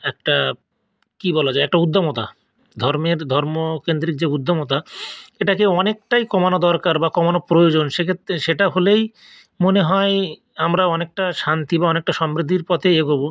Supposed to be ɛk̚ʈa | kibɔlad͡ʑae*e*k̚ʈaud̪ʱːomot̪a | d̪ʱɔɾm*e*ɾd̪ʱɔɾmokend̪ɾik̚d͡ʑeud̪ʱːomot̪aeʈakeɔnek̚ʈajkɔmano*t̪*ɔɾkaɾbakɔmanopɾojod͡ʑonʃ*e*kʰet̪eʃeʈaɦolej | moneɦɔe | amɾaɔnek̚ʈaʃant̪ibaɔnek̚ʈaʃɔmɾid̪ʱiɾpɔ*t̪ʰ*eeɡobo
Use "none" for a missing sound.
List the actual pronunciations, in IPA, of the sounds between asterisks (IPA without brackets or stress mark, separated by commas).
ɛ, e, d̪, e, t̪ʰ